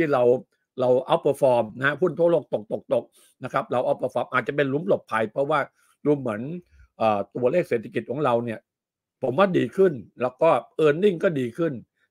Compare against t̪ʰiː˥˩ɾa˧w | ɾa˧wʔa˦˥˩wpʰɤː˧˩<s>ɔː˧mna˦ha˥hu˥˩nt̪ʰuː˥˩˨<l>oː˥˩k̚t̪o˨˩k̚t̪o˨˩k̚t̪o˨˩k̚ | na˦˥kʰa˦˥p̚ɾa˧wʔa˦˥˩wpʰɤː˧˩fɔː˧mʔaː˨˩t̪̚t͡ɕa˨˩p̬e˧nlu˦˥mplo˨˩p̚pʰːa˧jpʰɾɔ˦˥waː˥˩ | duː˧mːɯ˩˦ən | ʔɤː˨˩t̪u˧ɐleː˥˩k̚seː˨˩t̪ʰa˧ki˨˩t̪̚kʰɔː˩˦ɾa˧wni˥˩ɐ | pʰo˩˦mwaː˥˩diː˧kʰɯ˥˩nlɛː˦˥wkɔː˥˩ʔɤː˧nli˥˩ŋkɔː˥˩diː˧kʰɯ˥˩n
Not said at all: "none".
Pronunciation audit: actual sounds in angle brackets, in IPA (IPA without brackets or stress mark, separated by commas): f, l